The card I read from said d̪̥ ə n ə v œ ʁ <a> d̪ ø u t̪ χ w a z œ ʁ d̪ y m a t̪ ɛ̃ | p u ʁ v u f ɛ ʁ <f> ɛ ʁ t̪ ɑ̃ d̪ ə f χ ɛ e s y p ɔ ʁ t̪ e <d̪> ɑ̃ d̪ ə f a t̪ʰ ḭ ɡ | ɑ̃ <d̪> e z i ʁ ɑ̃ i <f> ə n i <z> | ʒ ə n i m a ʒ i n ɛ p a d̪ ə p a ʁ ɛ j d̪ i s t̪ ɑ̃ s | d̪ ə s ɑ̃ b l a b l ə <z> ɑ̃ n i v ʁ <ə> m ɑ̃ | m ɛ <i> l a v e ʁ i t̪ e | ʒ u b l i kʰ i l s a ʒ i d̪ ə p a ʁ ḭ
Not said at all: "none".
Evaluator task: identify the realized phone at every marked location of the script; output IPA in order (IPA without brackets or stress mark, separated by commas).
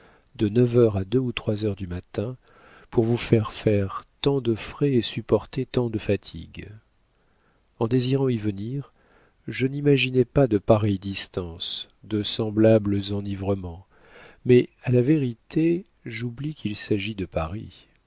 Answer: a, f, t̪, d̪, v, ʁ, z, ə, a